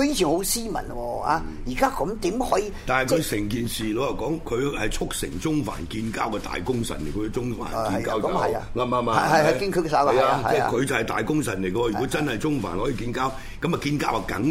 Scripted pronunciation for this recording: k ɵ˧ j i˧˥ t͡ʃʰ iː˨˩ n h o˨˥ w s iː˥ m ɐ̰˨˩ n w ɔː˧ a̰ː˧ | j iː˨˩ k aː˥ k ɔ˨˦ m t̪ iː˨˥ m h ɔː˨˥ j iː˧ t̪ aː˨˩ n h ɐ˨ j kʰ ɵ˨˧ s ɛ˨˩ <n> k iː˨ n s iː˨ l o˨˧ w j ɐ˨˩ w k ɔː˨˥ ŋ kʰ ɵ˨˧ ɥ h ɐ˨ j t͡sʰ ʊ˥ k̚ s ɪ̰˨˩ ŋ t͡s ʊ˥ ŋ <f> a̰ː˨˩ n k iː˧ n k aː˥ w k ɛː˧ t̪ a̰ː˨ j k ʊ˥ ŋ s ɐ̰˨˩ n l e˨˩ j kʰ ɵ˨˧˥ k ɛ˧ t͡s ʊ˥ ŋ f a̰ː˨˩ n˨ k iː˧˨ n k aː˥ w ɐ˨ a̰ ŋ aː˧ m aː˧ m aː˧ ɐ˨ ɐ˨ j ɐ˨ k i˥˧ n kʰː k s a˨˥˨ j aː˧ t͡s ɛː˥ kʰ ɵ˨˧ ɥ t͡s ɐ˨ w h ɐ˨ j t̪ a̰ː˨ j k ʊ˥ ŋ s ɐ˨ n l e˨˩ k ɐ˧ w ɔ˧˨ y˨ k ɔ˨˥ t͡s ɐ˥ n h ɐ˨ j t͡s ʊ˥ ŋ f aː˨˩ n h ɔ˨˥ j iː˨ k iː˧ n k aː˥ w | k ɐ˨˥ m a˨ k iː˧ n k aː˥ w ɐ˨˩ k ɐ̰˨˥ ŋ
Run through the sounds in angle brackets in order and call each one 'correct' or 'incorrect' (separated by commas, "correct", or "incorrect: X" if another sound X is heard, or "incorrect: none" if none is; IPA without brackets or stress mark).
incorrect: ŋ, correct